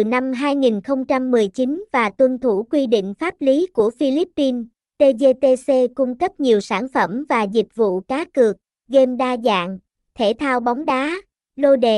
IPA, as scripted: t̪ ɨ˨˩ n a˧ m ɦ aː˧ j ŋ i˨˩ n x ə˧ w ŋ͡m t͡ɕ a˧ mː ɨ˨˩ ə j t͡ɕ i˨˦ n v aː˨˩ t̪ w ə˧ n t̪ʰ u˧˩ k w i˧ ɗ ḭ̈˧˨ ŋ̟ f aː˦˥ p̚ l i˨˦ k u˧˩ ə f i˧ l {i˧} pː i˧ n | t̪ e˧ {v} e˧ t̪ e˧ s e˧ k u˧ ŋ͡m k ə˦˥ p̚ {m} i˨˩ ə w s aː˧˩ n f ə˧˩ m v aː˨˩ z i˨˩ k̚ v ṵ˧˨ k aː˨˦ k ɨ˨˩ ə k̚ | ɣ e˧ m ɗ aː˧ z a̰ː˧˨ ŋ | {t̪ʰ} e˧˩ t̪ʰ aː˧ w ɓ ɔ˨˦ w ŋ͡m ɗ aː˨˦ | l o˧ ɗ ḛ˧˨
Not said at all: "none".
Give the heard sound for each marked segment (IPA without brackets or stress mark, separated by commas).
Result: i˦˥, z, ɲ, t̪ʰ